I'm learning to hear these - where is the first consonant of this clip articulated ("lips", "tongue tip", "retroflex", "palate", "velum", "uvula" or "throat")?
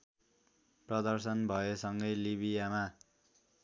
lips